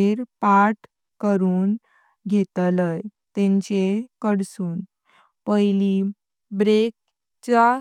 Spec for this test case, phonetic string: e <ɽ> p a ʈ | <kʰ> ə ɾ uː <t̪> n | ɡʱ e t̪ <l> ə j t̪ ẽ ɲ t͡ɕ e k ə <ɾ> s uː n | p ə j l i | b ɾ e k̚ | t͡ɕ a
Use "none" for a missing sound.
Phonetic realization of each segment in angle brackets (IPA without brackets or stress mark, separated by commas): ɾ, k, none, l, ɽ